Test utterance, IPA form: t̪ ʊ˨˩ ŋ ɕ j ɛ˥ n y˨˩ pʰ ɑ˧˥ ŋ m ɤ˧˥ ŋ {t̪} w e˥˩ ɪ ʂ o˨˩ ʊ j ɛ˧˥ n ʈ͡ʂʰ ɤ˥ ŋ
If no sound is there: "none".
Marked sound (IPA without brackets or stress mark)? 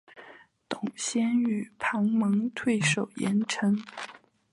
t̪ʰ